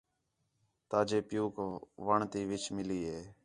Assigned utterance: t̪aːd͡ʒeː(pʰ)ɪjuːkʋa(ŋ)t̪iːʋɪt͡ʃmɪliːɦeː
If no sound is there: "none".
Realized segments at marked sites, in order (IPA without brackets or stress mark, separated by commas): p, ɳ